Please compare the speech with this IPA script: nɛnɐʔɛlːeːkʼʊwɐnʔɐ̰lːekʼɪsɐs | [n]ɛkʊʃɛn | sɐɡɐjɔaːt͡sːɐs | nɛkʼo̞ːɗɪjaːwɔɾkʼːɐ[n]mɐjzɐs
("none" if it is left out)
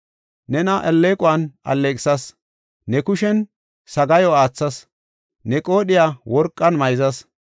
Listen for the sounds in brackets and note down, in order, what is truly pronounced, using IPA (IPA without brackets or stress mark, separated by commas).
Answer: n, n